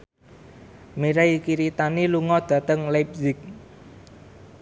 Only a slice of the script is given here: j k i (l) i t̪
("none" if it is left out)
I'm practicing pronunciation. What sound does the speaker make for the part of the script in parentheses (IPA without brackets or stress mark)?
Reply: ɾ